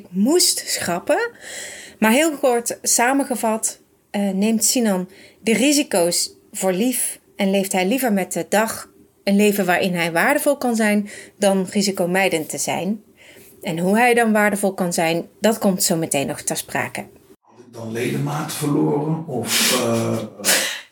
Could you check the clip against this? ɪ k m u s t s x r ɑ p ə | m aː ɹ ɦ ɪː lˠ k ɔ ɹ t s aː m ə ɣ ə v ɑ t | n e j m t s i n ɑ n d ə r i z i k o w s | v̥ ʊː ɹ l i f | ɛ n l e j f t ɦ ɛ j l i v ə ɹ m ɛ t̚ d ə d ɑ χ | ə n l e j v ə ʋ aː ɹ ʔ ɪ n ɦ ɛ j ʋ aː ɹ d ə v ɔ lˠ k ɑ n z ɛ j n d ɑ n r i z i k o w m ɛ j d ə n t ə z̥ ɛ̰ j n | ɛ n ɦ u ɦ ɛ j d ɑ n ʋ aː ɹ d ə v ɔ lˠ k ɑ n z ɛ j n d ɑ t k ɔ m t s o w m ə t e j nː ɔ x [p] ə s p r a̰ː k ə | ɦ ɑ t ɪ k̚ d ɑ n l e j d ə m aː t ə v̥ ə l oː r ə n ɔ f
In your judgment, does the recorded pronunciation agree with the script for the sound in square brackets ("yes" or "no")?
no